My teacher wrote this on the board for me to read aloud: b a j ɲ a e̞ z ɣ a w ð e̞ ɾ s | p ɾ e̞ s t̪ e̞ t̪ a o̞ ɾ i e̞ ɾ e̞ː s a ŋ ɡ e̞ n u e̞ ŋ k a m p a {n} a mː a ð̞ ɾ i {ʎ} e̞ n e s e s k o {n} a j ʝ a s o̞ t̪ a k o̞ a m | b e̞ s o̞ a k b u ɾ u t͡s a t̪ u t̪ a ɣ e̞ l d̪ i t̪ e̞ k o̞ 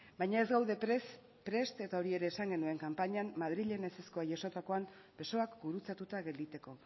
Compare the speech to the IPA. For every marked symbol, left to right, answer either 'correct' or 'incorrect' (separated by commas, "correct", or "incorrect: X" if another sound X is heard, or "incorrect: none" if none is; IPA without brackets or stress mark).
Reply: incorrect: ɲ, correct, incorrect: none